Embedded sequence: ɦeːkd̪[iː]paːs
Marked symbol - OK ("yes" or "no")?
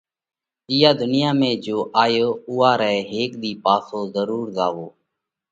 yes